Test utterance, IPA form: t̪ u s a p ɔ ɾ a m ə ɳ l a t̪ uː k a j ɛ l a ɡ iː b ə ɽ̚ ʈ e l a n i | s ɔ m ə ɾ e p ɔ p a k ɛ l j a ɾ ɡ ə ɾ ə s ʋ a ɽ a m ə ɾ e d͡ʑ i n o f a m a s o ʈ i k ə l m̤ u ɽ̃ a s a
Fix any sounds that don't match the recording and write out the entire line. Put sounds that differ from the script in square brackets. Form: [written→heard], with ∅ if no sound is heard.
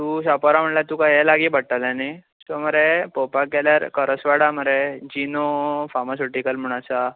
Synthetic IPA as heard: t̪ u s a p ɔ ɾ a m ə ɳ l a t̪ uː k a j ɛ l a ɡ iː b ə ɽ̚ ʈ [e→a] l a n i | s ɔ m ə ɾ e p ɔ p a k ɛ l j a ɾ [ɡ→k] ə ɾ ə s ʋ a ɽ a m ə ɾ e d͡ʑ i n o f a m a s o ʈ i k ə l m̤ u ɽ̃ a s a

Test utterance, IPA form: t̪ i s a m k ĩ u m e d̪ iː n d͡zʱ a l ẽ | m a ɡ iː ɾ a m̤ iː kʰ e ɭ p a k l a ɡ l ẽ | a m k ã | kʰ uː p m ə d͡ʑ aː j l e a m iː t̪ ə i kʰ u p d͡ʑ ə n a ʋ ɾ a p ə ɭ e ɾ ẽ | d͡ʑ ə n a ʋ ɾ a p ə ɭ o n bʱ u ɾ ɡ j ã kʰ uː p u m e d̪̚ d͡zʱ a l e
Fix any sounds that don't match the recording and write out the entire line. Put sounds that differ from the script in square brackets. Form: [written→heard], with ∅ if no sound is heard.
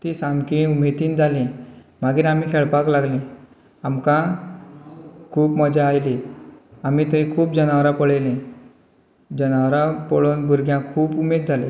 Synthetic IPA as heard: t̪ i s a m k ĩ u m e [d̪→t̪] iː n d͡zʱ a l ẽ | m a ɡ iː ɾ a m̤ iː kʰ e ɭ p a k l a ɡ l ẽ | a m k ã | kʰ uː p m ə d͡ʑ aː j l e a m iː t̪ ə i kʰ [u→uː] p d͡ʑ ə n a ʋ ɾ a p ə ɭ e [ɾ→l] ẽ | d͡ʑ ə n a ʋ ɾ a p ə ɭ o n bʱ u ɾ ɡ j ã kʰ uː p u m e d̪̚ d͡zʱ a l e

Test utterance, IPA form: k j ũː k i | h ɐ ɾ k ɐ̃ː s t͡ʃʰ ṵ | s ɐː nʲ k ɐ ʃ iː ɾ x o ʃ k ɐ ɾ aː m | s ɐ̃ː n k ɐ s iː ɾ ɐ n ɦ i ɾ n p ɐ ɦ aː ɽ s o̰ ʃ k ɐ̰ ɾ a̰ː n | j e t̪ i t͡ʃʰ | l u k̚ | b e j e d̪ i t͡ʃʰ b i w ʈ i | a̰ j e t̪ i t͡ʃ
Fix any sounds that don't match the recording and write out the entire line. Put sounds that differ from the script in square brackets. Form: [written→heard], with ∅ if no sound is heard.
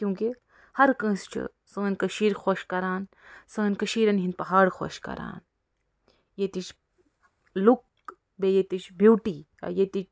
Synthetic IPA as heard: k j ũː k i | h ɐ ɾ k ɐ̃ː s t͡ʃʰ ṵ | s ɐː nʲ k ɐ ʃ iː ɾ x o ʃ k ɐ ɾ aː [m→n] | s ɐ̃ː n k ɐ [s→ʃ] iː ɾ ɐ n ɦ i [ɾ→∅] n p ɐ ɦ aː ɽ [s→x] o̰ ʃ k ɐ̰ ɾ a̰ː n | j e t̪ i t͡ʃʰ | l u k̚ | b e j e [d̪→t̪] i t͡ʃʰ b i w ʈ i | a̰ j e t̪ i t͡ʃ

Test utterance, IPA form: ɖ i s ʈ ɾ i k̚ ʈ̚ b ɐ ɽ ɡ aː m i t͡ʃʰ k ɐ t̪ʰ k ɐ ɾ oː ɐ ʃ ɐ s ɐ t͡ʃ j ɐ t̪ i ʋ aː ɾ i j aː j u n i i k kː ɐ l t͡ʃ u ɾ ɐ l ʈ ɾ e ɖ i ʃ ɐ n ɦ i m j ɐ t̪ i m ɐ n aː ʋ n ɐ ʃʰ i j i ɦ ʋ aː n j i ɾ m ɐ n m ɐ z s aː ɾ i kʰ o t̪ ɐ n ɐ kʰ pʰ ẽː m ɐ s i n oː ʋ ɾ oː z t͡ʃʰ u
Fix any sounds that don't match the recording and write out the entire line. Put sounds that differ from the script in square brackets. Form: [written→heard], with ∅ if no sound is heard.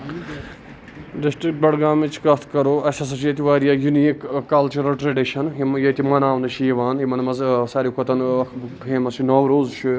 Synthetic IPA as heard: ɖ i s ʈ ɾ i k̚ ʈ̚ b ɐ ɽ ɡ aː m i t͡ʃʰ k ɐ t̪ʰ k ɐ ɾ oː ɐ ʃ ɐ s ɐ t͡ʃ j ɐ t̪ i ʋ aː ɾ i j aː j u n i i k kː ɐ l t͡ʃ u ɾ ɐ l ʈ ɾ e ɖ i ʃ ɐ n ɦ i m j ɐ t̪ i m ɐ n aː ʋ n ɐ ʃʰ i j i [ɦ→∅] ʋ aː n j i [ɾ→∅] m ɐ n m ɐ z s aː ɾ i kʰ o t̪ ɐ n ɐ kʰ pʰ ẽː m ɐ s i n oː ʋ ɾ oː z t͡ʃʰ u

